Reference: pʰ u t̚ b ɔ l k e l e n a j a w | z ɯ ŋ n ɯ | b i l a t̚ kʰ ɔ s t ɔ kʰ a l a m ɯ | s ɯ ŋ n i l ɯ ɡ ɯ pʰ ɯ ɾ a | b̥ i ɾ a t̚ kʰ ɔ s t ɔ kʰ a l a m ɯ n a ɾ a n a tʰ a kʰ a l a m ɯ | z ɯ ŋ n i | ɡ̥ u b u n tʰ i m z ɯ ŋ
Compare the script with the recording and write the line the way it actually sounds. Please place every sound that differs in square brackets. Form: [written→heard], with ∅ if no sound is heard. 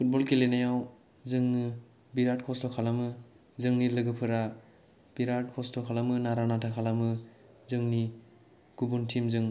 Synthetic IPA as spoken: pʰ u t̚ b ɔ l k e l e n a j a w | z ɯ ŋ n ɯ | b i [l→ɾ] a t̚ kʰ ɔ s t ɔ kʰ a l a m ɯ | [s→z] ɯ ŋ n i l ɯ ɡ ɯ pʰ ɯ ɾ a | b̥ i ɾ a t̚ kʰ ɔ s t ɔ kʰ a l a m ɯ n a ɾ a n a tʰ a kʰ a l a m ɯ | z ɯ ŋ n i | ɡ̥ u b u n tʰ i m z ɯ ŋ